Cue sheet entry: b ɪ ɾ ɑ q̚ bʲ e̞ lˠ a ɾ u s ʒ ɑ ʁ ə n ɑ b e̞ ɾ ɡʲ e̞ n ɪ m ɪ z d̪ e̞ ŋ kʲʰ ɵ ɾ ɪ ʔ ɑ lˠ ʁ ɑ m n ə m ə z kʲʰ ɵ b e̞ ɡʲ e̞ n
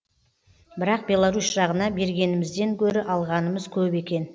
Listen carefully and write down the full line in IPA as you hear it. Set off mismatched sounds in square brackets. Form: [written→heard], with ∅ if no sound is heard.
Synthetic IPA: b ɪ ɾ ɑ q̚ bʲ e̞ lˠ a ɾ u s ʒ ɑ ʁ ə n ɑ b e̞ ɾ ɡʲ e̞ n ɪ m ɪ z d̪ e̞ ŋ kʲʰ ɵ ɾ ɪ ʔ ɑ lˠ ʁ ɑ [m→∅] n ə m ə z kʲʰ ɵ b e̞ [ɡʲ→kʲ] e̞ n